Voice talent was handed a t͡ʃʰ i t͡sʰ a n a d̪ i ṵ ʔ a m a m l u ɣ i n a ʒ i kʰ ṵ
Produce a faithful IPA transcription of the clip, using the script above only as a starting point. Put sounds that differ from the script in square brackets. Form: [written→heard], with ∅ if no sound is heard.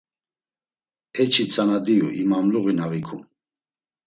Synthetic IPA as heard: [a→ɛ] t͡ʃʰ i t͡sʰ a n a d̪ i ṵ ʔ [a→i] m a m l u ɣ i n a [ʒ→v] i kʰ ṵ